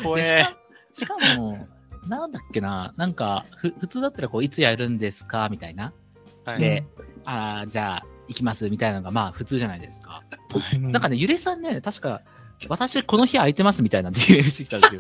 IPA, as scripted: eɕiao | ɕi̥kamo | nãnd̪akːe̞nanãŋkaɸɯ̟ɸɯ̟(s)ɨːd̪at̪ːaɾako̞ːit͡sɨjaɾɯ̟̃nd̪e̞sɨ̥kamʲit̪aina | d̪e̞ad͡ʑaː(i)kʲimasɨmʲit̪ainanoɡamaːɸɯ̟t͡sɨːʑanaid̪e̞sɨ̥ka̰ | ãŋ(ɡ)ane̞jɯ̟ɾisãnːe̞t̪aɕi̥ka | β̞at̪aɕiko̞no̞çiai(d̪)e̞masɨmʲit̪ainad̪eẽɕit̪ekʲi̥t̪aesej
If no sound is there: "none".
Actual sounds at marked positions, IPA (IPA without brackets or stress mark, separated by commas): t͡s, i, k, t̪